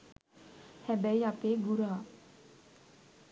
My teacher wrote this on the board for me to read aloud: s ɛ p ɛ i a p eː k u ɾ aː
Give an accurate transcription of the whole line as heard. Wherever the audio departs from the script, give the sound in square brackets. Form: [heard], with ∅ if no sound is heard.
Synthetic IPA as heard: [h] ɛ [b] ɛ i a p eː [ɡ] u ɾ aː